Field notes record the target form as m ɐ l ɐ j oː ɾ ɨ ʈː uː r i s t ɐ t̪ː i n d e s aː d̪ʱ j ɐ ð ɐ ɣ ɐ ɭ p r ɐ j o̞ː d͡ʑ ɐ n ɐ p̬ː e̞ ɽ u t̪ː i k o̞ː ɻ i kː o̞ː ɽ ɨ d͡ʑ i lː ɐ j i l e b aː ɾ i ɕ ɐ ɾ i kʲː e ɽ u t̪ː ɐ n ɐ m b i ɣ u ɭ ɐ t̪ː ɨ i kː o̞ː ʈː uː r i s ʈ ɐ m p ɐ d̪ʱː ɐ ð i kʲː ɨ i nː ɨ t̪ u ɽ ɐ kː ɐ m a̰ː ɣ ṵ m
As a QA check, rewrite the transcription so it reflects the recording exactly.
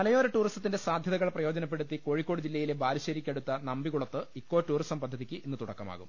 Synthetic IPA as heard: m ɐ l ɐ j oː ɾ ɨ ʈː uː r i s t ɐ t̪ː i n d e s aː d̪ʱ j ɐ ð ɐ ɣ ɐ ɭ p r ɐ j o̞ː d͡ʑ ɐ n ɐ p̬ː e̞ ɽ u t̪ː i k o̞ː ɻ i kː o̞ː ɽ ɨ d͡ʑ i lː ɐ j i l e b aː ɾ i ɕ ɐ ɾ i kʲː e ɽ u t̪ː ɐ n ɐ m b i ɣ u ɭ ɐ t̪ː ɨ i kː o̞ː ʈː uː r i s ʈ ɐ m p ɐ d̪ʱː ɐ ð i kʲː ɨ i nː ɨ t̪ u ɽ ɐ kː ɐ m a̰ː ɣ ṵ m

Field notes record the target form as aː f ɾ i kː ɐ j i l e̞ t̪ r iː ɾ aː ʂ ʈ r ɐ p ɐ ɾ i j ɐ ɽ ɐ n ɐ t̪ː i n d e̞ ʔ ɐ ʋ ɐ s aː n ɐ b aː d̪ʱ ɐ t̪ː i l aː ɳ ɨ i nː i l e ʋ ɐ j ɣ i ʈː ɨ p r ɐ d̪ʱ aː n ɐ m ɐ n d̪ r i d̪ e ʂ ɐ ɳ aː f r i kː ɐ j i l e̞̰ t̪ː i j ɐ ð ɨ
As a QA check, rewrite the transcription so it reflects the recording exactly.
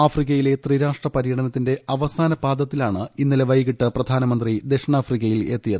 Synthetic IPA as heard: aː f r i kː ɐ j i l e̞ t̪ r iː ɾ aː ʂ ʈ r ɐ p ɐ ɾ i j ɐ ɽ ɐ n ɐ t̪ː i n d e̞ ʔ ɐ ʋ ɐ s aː n ɐ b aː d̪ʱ ɐ t̪ː i l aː ɳ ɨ i nː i l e ʋ ɐ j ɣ i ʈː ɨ p r ɐ d̪ʱ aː n ɐ m ɐ n d̪ r i d̪ e ʂ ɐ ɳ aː f r i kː ɐ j i l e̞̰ t̪ː i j ɐ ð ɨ

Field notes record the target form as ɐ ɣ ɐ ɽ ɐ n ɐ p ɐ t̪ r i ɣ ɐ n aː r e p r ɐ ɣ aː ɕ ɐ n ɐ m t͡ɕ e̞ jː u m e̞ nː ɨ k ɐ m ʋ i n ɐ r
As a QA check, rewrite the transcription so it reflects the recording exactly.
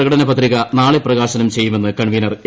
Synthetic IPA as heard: ɐ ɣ ɐ ɽ ɐ n ɐ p ɐ t̪ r i ɣ ɐ n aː ɭ e p r ɐ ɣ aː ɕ ɐ n ɐ m t͡ɕ e̞ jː u m e̞ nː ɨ k ɐ ɳ ʋ i n ɐ r

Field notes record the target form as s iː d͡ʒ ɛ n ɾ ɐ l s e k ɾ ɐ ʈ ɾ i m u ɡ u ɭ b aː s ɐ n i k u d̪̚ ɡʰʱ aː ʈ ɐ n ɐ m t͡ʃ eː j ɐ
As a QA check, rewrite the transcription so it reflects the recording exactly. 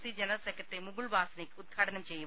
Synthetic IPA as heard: s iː d͡ʒ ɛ n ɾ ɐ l s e k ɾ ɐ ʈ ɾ i m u ɡ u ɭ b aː s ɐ n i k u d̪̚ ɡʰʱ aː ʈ ɐ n ɐ m t͡ʃ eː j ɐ

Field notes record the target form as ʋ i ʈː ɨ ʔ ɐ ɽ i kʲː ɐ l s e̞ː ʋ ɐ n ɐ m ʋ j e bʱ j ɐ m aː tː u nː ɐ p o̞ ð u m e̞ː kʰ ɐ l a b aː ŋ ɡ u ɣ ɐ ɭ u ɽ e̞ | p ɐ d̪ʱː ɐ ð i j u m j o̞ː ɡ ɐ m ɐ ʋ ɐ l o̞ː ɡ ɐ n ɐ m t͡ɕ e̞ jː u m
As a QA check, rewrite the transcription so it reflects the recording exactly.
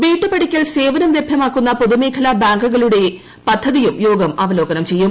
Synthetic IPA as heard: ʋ iː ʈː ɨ p ɐ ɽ i kʲː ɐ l s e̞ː ʋ ɐ n ɐ m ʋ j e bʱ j ɐ m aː kː u nː ɐ p o̞ ð u m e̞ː kʰ ɐ l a b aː ŋ ɡ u ɣ ɐ ɭ u ɽ e̞ | p ɐ d̪ʱː ɐ ð i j u m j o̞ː ɡ ɐ m ɐ ʋ ɐ l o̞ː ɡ ɐ n ɐ m t͡ɕ e̞ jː u m

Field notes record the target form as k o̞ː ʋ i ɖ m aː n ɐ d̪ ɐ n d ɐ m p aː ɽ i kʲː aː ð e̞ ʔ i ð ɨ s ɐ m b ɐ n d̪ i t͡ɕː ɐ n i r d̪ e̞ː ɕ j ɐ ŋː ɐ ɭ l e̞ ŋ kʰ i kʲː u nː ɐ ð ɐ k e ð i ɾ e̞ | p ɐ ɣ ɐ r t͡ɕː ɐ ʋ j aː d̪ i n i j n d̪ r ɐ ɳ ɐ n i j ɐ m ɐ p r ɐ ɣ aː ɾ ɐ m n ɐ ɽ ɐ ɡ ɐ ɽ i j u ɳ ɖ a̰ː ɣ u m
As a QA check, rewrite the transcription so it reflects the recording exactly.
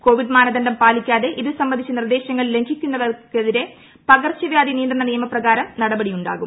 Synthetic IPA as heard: k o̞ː ʋ i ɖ m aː n ɐ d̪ ɐ n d ɐ m p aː l i kʲː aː ð e̞ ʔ i ð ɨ s ɐ m b ɐ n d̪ i t͡ɕː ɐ n i r d̪ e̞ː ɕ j ɐ ŋː ɐ ɭ l e̞ ŋ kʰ i kʲː u nː ɐ ð ɐ k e ð i ɾ e̞ | p ɐ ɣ ɐ r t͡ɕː ɐ ʋ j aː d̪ i n i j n d̪ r ɐ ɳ ɐ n i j ɐ m ɐ p r ɐ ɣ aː ɾ ɐ m n ɐ ɽ ɐ b ɐ ɽ i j u ɳ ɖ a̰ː ɣ u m

